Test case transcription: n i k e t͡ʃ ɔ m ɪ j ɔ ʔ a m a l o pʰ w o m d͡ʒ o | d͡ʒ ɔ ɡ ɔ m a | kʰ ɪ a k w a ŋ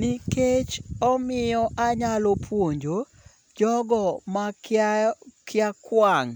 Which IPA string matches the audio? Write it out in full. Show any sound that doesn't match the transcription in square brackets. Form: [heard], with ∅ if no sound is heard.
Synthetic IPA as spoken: n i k e t͡ʃ ɔ m ɪ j ɔ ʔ a [ɲ] a l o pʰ w o [ɲ] d͡ʒ o | d͡ʒ ɔ ɡ ɔ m a | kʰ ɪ a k w a ŋ